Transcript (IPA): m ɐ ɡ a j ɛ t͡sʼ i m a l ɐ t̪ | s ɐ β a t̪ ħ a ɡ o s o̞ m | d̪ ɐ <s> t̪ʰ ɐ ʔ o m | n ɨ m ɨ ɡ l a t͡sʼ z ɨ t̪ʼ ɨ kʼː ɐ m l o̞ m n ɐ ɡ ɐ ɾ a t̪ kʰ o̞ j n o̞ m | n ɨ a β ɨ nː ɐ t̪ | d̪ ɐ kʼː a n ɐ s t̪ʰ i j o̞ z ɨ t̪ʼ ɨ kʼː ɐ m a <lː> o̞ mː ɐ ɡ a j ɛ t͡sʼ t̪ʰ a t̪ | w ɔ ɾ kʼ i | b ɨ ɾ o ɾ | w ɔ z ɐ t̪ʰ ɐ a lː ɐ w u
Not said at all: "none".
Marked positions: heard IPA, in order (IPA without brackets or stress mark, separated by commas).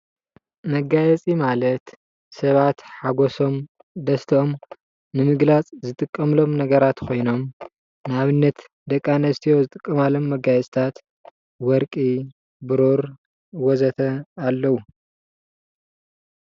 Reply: s, l